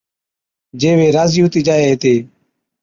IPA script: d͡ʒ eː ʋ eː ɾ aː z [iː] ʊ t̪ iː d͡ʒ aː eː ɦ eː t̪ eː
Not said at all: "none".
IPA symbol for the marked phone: iː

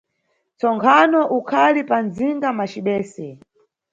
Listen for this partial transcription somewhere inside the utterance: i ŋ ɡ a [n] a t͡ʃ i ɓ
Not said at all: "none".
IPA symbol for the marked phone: m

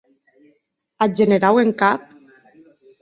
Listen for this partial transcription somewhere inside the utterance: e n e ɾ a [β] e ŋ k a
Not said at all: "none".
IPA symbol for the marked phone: w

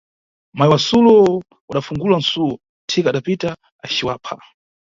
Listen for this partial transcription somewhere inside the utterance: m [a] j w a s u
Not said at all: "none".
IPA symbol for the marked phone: a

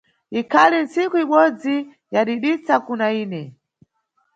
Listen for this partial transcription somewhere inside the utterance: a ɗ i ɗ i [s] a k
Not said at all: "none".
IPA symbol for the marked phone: t͡s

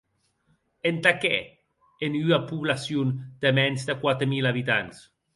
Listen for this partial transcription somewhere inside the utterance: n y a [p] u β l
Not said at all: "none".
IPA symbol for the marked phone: p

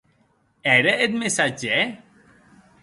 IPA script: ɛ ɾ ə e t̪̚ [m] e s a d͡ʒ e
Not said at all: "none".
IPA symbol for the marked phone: m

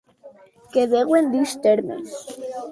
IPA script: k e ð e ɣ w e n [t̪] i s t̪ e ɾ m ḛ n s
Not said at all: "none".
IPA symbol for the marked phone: d̪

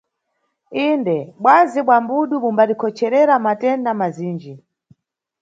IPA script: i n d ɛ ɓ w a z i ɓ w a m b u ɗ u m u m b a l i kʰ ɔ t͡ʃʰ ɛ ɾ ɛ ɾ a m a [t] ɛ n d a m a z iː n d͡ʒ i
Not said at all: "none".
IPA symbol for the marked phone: t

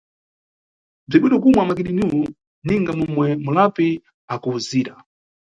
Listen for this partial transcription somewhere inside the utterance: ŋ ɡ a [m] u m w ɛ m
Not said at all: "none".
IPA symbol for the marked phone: m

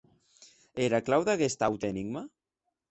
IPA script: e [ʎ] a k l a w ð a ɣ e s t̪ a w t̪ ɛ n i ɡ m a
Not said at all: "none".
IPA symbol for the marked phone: ɾ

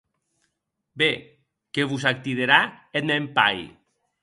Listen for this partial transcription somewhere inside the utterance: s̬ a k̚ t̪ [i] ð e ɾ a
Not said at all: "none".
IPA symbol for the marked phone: i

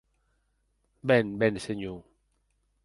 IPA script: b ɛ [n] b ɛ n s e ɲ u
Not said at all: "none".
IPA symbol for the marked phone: n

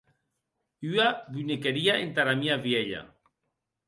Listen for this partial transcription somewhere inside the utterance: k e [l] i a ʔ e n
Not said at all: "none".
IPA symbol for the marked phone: ɾ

